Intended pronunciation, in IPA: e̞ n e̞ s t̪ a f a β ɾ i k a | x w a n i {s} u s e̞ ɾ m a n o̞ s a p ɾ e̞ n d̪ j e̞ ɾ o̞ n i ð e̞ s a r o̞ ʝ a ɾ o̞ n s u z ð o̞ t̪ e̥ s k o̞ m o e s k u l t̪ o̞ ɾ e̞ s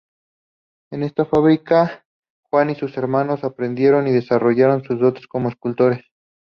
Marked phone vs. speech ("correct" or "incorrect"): correct